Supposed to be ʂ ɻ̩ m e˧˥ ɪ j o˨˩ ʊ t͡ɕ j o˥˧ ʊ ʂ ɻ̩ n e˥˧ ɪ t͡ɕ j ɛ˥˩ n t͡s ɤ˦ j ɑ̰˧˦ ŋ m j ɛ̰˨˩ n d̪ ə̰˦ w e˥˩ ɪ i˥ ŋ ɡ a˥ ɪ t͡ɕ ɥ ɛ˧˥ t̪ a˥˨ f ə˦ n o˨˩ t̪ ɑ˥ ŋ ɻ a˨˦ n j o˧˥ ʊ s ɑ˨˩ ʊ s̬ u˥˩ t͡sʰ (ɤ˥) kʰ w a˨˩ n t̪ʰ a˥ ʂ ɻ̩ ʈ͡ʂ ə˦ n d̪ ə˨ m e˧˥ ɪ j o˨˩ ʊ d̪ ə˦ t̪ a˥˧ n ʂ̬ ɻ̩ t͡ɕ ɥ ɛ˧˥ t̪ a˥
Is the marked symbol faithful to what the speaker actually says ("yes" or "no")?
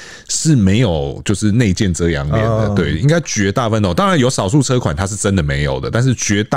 yes